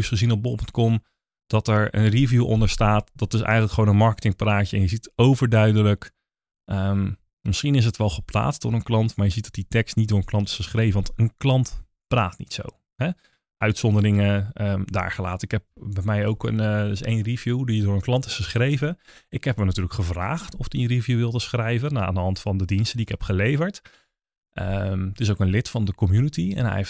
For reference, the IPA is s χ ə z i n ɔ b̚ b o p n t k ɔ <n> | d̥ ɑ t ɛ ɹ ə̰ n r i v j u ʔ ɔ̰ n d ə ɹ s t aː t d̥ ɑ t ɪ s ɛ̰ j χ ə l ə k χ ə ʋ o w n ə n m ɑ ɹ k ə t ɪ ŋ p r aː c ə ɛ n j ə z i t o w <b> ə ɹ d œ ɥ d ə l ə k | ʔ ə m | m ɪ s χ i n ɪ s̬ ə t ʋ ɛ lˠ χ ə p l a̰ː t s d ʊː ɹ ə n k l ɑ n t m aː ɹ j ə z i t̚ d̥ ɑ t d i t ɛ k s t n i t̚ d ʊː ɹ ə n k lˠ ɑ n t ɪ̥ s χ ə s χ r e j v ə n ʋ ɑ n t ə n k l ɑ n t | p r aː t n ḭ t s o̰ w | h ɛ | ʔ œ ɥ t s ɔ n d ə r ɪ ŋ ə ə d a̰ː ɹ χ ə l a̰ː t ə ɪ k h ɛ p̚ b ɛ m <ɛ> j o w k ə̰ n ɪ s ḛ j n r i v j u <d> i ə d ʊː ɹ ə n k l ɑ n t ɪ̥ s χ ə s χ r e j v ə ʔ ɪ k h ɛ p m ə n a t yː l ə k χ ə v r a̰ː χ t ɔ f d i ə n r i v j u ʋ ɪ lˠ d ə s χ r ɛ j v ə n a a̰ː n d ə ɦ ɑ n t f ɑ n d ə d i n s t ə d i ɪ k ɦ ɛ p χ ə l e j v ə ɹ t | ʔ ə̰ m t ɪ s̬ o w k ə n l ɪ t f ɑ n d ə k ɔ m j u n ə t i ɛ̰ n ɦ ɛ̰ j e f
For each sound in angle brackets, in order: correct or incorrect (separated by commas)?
incorrect, incorrect, correct, correct